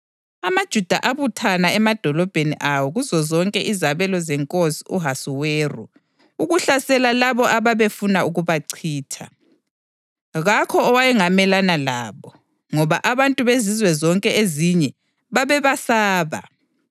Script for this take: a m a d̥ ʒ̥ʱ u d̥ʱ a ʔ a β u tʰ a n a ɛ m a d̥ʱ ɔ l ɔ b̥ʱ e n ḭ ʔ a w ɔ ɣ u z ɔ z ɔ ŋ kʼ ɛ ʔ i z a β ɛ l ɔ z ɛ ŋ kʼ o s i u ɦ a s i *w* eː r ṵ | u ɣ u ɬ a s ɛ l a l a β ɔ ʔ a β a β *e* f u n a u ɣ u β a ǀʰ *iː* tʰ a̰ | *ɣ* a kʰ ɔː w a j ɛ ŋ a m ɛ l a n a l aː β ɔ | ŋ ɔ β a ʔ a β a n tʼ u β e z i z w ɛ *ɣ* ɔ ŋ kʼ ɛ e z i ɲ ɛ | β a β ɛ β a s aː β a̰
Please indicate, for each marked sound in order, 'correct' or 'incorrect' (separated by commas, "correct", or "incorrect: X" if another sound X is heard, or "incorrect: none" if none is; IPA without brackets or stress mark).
correct, correct, correct, correct, incorrect: z